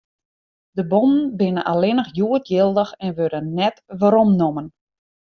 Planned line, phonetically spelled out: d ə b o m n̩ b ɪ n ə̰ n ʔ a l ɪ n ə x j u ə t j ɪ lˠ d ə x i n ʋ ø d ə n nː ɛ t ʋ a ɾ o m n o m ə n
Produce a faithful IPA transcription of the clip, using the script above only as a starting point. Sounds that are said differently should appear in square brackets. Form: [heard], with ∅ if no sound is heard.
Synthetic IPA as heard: d ə b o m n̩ b ɪ n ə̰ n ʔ a l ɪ n ə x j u ə t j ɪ lˠ d ə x [ɛ] n ʋ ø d ə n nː ɛ t ʋ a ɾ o m n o m ə n

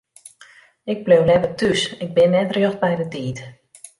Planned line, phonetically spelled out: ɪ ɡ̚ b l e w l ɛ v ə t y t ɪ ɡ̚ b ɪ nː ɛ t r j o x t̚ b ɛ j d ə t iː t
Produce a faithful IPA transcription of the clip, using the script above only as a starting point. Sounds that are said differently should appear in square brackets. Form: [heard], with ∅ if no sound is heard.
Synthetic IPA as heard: ɪ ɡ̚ b l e w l ɛ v ə t y [s] ɪ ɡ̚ b ɪ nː ɛ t r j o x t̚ b ɛ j d ə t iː t

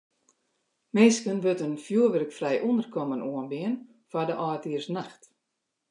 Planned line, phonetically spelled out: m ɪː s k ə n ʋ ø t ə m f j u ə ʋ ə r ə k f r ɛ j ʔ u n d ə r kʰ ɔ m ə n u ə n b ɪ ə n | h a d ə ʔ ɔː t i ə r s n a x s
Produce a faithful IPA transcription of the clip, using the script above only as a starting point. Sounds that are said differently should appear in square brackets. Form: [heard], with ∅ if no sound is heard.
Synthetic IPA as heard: m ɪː s k ə n ʋ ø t ə [n] f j u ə ʋ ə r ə k f r ɛ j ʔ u n d ə r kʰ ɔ m ə n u ə n b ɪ ə n | [f] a d ə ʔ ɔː t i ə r s n a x [t]

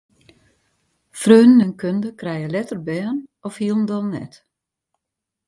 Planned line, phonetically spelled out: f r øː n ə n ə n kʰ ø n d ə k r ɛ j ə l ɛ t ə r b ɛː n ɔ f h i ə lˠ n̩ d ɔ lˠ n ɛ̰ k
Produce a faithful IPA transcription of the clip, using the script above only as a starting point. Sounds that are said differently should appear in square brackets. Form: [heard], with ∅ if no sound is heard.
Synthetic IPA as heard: f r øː n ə n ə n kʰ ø n d ə k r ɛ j ə l ɛ t ə r b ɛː n ɔ f h i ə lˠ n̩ d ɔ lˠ n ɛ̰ [t]

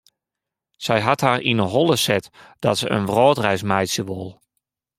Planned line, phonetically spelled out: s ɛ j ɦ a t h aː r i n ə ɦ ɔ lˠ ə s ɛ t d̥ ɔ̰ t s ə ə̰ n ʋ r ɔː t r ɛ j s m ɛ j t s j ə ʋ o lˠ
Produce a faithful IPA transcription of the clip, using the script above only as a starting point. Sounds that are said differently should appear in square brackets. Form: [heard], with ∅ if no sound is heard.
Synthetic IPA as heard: s ɛ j ɦ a t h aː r i n ə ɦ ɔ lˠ ə s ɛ t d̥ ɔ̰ t s ə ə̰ n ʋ r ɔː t r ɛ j s m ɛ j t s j ə ʋ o lˠ

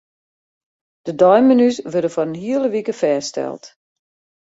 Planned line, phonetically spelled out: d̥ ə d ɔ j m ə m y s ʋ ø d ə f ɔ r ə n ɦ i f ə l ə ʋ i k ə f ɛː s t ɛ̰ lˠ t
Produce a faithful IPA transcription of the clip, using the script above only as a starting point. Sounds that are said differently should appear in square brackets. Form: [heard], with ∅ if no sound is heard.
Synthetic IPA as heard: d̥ ə d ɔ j m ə [n] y s ʋ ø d ə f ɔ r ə n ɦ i [∅] ə l ə ʋ i k ə f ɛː s t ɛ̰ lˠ t

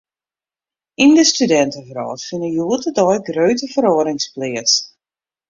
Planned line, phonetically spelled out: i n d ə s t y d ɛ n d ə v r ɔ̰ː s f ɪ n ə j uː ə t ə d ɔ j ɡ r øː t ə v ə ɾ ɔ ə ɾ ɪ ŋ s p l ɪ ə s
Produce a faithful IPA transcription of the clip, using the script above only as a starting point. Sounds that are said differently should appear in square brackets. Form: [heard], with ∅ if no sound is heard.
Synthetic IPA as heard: i n d ə s t y d ɛ n [t] ə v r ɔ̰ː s f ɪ n ə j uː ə t ə d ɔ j ɡ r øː t ə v ə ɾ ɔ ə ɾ ɪ ŋ s p l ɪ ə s

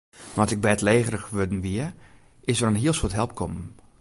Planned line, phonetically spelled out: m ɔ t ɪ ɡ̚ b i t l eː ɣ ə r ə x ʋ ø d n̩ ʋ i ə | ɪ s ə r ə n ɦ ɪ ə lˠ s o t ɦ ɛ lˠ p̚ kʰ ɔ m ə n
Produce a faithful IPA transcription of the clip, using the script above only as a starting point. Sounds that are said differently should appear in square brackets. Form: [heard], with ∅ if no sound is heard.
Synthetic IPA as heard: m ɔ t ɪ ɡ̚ b [ɛ] t l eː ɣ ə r ə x ʋ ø d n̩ ʋ i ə | ɪ s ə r ə n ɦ [i] ə lˠ s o t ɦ ɛ lˠ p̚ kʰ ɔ m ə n

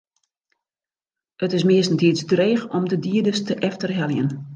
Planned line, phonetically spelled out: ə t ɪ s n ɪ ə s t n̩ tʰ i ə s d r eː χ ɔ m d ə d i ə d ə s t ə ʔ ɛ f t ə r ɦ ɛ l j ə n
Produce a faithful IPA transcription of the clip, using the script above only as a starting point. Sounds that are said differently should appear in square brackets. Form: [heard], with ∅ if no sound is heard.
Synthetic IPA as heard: ə t ɪ s [m] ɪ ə s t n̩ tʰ i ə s d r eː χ ɔ m d ə d i ə d ə s t ə ʔ ɛ f t ə r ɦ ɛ l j ə n

